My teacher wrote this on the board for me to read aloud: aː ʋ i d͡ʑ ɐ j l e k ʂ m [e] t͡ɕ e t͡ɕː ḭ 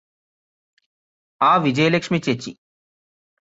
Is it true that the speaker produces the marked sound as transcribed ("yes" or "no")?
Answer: no